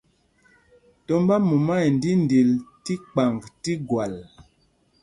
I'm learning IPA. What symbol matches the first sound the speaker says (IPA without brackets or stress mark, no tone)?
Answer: t